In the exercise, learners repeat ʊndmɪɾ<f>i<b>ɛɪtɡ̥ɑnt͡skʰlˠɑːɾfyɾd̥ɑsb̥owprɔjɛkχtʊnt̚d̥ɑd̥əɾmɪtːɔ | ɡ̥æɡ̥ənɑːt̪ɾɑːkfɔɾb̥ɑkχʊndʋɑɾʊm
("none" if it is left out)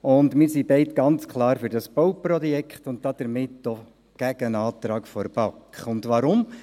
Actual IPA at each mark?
s, b

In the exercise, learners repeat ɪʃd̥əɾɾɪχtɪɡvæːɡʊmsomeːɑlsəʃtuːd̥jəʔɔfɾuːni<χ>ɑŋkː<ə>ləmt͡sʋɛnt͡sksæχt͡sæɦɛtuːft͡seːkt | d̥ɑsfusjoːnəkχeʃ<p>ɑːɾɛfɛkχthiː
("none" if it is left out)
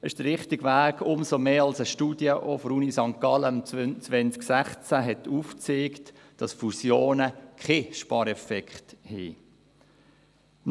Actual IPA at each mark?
s, ɑ, p

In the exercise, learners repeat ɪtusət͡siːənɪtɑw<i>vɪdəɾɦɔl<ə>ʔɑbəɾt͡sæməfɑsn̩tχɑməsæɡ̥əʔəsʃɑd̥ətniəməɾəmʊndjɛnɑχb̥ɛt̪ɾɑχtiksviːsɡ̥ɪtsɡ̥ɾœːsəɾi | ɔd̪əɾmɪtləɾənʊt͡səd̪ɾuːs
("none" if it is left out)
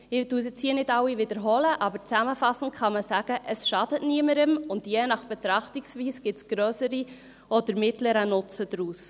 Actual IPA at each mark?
i, ə

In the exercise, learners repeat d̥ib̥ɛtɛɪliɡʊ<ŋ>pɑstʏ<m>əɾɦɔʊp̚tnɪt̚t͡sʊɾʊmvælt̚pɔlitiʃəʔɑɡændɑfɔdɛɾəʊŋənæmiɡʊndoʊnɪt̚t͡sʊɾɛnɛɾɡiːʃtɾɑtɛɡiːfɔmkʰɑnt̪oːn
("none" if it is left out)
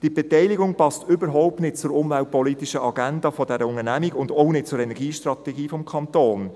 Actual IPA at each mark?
ŋ, b

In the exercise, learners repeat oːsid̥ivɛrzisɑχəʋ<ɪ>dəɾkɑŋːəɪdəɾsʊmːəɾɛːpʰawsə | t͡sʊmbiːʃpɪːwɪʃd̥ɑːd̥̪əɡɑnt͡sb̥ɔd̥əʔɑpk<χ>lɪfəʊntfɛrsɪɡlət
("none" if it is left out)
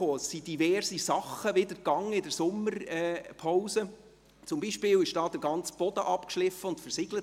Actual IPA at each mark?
ɪ, ʃ

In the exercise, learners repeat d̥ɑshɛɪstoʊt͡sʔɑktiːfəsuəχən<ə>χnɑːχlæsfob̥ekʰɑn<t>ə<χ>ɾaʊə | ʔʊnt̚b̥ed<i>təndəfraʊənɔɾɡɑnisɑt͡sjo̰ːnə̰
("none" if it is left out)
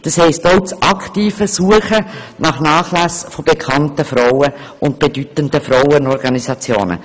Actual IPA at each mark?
ɑ, t, f, y

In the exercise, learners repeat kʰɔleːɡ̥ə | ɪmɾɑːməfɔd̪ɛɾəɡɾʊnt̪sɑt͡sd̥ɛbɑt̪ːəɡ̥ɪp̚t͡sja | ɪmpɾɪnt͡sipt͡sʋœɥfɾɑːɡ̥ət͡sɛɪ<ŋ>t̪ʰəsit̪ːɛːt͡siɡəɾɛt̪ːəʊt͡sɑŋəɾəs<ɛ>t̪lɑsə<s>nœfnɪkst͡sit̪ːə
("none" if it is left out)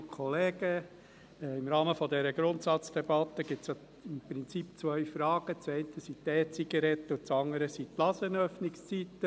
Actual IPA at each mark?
n, i, none

